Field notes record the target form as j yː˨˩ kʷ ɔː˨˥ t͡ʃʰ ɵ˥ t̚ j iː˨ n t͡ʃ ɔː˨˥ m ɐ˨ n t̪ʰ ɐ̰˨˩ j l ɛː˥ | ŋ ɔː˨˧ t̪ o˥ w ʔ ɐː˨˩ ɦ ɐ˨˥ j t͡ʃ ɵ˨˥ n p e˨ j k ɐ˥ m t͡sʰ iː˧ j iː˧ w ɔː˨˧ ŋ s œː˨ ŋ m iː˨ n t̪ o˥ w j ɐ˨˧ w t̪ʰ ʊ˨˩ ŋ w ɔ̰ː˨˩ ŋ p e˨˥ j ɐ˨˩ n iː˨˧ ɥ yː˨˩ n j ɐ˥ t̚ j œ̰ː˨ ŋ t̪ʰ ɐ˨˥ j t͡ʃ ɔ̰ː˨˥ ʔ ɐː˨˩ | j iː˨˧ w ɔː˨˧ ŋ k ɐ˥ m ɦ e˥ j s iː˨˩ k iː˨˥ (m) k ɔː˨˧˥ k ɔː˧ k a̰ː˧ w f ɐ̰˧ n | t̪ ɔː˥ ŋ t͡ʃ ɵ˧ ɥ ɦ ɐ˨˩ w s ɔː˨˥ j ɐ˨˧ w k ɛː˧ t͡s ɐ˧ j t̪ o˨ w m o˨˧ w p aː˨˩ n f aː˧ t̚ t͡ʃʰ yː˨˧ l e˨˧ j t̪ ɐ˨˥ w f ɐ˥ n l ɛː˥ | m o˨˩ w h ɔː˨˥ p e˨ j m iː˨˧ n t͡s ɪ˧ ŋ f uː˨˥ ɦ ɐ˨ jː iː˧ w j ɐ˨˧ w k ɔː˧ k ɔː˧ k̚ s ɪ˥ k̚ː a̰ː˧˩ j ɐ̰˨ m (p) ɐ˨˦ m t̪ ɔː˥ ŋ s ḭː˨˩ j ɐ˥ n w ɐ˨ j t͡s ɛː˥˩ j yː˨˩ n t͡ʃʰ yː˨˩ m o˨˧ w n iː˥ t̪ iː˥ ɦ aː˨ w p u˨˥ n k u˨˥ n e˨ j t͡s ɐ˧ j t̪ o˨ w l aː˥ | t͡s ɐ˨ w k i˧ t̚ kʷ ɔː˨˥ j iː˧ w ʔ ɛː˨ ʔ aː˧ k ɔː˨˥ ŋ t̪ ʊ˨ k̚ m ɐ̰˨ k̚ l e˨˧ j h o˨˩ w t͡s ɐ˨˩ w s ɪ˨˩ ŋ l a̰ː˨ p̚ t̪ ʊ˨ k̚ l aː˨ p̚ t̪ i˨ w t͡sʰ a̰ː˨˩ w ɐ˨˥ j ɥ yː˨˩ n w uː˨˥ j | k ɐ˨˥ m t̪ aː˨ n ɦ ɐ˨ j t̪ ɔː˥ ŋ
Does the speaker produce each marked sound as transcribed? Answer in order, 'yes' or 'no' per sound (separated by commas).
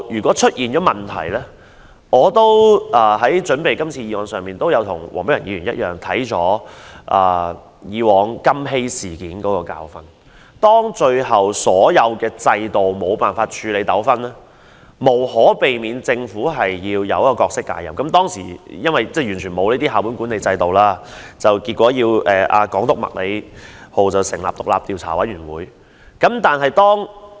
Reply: no, no